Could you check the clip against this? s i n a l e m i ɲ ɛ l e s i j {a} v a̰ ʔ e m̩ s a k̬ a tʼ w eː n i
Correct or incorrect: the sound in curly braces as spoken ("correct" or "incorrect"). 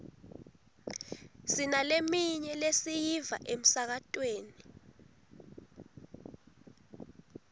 incorrect